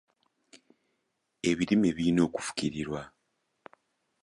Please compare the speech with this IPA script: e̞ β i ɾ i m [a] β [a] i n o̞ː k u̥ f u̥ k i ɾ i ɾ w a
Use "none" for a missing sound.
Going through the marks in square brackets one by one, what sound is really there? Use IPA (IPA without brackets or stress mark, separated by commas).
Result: e, i